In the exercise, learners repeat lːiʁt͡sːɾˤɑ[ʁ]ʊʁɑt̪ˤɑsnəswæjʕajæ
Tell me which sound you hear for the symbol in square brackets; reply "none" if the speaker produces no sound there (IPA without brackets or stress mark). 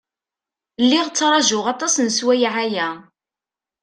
ʒ